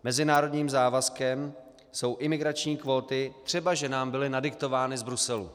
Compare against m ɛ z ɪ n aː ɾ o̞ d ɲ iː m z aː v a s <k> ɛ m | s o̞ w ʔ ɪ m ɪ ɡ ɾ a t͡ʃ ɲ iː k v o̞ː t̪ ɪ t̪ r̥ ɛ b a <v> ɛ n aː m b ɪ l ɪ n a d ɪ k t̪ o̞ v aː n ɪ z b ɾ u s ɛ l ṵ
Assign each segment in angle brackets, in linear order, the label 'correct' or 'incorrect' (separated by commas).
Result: correct, incorrect